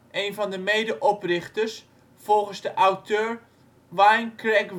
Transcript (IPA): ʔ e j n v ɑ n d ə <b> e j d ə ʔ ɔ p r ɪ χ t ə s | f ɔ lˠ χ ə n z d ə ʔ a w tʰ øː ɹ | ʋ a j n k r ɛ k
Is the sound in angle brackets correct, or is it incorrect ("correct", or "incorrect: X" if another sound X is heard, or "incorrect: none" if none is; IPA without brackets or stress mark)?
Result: incorrect: m